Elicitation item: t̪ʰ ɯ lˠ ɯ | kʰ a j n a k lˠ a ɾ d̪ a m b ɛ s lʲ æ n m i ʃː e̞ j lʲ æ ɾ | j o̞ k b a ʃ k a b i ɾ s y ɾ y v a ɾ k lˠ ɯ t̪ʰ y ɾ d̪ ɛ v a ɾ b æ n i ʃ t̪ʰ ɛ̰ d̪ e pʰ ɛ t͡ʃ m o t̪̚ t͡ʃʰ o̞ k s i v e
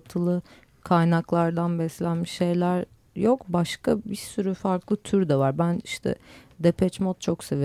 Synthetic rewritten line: t̪ʰ ɯ lˠ ɯ | kʰ a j n a k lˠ a ɾ d̪ a n b ɛ s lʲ æ n m i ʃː e̞ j lʲ æ ɾ | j o̞ k b a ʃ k a b i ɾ s y ɾ y f a ɾ k lˠ ɯ t̪ʰ y ɾ d̪ ɛ v a ɾ b æ n i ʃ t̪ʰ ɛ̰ d̪ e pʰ ɛ t͡ʃ m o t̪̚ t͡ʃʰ o̞ k s e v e